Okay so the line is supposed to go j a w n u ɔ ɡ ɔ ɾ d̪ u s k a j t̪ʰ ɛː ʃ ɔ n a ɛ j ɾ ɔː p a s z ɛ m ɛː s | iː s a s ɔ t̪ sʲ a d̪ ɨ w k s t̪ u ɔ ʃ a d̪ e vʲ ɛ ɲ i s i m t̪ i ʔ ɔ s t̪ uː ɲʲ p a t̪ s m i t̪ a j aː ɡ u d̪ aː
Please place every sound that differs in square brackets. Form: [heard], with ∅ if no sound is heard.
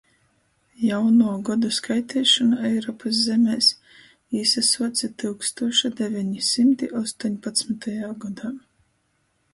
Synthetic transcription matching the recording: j a w n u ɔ ɡ ɔ [∅] d̪ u s k a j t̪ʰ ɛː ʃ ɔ n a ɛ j ɾ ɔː p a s z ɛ m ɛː s | iː s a s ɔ t̪ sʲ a [t̪] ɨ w k s t̪ u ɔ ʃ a d̪ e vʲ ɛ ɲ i s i m t̪ i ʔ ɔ s t̪ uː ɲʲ p a t̪ s m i t̪ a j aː ɡ [ɔ] d̪ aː